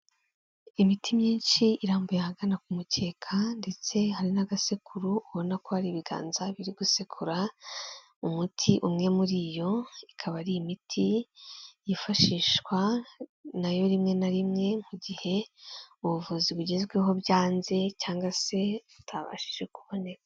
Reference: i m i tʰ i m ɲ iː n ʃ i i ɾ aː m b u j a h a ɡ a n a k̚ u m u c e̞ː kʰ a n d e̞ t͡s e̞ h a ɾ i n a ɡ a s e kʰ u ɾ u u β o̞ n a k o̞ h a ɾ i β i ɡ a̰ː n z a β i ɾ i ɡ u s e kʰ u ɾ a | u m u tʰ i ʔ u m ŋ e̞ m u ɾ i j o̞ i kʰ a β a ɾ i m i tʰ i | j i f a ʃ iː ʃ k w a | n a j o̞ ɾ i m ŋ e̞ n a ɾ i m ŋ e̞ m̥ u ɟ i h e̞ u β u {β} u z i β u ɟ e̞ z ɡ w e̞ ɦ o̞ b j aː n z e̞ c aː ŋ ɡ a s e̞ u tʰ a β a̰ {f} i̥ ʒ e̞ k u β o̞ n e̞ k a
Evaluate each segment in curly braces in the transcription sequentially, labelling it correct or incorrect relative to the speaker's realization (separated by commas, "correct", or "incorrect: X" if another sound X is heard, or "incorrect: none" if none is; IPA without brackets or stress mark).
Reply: incorrect: v, incorrect: ʃ